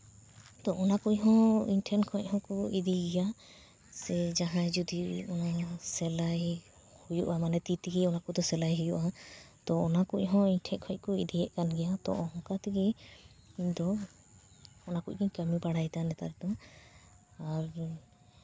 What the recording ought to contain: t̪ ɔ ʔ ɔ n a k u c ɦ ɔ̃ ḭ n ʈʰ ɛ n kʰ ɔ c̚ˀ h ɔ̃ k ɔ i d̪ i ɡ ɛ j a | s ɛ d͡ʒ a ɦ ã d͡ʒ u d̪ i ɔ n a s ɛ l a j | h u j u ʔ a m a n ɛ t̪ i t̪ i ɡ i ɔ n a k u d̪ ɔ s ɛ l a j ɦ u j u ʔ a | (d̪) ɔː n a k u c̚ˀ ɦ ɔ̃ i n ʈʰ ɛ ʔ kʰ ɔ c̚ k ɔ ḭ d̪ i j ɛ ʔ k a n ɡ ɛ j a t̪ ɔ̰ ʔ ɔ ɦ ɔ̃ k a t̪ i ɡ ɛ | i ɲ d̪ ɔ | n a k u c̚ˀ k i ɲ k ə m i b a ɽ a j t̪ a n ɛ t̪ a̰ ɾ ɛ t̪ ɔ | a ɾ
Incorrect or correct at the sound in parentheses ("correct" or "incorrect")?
incorrect